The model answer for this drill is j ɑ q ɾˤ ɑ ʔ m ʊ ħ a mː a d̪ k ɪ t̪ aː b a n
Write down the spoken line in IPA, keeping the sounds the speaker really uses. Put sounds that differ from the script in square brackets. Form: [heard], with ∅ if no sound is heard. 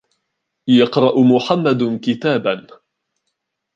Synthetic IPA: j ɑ q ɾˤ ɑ ʔ m ʊ ħ a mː a d̪ k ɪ t̪ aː b a n

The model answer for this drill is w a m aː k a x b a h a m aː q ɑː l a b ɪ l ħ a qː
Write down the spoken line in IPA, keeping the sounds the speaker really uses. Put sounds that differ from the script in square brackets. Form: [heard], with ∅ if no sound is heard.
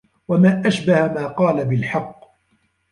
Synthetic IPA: w a m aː [ʔ] a [ʃ] b a h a m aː q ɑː l a b ɪ l ħ [ɑ] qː

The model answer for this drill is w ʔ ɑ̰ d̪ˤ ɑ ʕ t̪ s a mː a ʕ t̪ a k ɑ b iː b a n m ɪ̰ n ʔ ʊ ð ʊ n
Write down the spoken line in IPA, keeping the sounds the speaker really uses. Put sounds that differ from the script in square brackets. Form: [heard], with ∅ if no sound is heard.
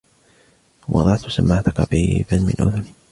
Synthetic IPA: w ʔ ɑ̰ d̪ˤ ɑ ʕ t̪ s a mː a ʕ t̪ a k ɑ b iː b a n m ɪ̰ n ʔ ʊ ð ʊ n

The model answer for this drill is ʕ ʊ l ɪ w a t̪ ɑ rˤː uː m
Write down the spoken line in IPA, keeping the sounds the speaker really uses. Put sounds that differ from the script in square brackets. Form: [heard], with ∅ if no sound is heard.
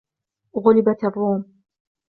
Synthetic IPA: [ɣ] ʊ l ɪ [b] a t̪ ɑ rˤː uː m

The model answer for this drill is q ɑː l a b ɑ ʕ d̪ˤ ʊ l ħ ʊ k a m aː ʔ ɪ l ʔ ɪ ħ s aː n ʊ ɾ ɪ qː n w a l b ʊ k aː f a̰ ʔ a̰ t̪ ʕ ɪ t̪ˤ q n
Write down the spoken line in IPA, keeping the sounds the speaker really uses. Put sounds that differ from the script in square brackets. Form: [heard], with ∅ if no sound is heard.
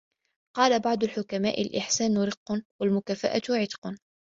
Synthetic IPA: q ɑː l a b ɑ ʕ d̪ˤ ʊ l ħ ʊ k a m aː ʔ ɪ l ʔ ɪ ħ s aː n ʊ ɾ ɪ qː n w a l [m] ʊ k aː f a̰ ʔ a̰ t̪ ʕ ɪ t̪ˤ q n

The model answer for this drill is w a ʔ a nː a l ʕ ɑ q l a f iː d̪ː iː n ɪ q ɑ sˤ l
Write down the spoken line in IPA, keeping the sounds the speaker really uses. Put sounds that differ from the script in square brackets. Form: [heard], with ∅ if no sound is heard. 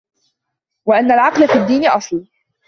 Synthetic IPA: w a ʔ a nː a l ʕ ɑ q l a f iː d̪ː iː n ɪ [ʔ] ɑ sˤ l

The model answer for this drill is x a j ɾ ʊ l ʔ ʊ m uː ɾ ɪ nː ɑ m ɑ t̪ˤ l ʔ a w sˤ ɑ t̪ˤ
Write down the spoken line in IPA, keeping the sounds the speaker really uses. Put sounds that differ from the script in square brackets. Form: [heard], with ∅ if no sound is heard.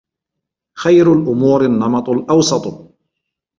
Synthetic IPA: x a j ɾ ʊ l ʔ ʊ m uː ɾ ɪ nː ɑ m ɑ t̪ˤ l ʔ [ɑ] w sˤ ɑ t̪ˤ

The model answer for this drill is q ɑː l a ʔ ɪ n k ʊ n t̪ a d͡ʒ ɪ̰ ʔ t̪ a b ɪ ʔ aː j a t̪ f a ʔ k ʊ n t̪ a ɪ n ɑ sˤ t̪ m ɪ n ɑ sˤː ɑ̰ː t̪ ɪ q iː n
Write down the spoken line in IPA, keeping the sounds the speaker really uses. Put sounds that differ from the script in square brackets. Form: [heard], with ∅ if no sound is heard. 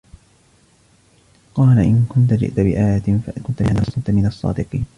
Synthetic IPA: q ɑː l a ʔ ɪ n k ʊ n t̪ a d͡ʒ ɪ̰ ʔ t̪ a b ɪ ʔ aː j a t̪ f a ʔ k ʊ n t̪ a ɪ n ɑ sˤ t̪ m ɪ n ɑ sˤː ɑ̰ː [d̪] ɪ q iː n

